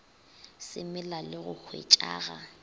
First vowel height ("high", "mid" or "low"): high